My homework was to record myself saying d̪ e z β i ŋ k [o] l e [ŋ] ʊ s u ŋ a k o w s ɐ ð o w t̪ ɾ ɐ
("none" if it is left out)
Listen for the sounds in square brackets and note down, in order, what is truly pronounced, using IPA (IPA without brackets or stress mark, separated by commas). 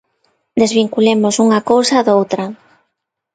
u, m